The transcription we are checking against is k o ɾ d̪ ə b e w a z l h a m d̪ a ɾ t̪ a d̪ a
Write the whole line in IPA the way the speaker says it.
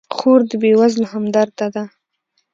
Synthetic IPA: x o ɾ d̪ ə b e w a z l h a m d̪ a ɾ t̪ a d̪ a